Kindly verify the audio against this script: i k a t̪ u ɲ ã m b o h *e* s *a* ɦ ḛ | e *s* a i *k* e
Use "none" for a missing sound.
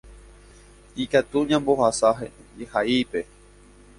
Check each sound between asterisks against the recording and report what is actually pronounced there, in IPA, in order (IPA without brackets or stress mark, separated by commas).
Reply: a, a, h, p